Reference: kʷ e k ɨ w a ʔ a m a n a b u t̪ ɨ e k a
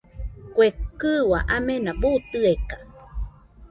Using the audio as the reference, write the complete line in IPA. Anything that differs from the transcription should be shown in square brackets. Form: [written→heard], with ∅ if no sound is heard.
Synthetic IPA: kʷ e k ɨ w a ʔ a m [a→e] n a b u t̪ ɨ e k a